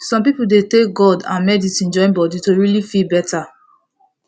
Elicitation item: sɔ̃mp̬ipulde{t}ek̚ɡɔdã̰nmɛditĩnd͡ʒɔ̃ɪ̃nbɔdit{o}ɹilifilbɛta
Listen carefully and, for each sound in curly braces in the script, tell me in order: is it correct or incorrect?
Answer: correct, correct

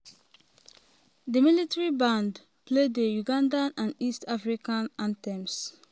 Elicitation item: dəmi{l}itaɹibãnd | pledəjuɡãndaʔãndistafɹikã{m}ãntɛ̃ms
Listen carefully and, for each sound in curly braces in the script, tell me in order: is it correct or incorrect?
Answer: correct, incorrect: n

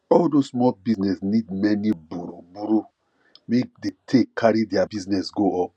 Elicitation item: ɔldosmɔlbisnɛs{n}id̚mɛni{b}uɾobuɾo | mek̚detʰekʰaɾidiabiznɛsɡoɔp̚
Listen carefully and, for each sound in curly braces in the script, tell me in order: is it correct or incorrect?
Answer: correct, correct

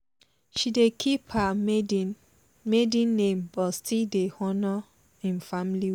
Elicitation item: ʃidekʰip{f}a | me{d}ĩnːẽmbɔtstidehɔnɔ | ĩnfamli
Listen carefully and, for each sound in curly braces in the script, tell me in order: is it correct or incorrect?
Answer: incorrect: h, correct

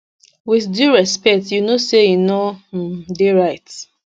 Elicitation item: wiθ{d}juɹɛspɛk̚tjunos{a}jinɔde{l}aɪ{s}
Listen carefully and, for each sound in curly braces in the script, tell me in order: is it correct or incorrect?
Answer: correct, incorrect: e, incorrect: ɹ, incorrect: t

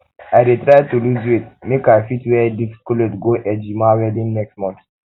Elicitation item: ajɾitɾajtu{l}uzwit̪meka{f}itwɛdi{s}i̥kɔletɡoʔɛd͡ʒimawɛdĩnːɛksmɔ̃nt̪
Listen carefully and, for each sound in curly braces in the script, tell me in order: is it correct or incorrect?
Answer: correct, correct, incorrect: f

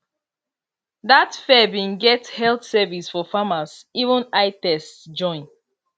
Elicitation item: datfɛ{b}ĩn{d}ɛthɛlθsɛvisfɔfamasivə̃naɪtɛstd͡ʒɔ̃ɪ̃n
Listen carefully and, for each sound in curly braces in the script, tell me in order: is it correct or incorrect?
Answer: correct, incorrect: ɡ

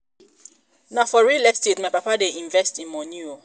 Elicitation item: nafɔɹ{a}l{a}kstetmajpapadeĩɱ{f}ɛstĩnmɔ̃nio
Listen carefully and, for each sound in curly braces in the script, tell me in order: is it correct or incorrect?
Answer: incorrect: i, incorrect: ɛ, incorrect: v

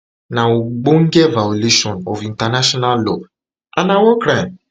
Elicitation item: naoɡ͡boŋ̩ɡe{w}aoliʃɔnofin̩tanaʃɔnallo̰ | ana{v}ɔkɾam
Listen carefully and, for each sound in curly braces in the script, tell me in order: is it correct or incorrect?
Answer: incorrect: v, incorrect: w

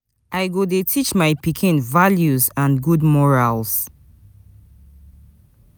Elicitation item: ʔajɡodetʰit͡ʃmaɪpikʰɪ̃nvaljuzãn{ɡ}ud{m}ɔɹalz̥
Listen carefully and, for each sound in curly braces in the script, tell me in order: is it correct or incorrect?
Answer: correct, correct

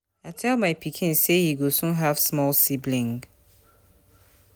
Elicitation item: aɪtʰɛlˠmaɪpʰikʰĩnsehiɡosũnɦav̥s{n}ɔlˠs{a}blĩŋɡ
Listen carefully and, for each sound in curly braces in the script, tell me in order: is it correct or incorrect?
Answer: incorrect: m, incorrect: i

